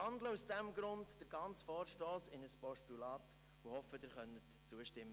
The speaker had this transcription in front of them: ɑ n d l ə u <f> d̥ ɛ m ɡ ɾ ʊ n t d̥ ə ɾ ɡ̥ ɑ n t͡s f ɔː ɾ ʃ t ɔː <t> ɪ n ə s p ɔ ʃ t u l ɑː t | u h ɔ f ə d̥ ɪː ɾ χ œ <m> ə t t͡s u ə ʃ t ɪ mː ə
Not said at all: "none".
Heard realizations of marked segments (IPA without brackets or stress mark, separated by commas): s, s, n